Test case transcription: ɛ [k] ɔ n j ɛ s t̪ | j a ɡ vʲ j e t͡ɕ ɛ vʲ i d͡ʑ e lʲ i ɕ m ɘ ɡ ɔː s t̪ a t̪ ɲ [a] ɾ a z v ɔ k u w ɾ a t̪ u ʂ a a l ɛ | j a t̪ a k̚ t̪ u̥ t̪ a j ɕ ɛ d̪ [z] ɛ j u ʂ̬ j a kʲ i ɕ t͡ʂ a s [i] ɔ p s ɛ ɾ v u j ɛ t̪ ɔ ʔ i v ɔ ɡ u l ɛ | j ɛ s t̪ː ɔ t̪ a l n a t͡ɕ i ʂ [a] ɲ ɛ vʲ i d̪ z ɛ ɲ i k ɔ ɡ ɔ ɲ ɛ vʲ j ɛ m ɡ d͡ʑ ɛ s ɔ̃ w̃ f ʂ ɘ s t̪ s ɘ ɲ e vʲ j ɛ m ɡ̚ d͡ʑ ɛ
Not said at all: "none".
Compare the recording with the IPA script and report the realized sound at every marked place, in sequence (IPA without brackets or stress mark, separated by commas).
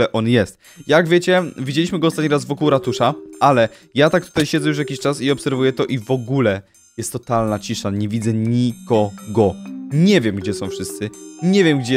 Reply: ʔ, i, z, i, a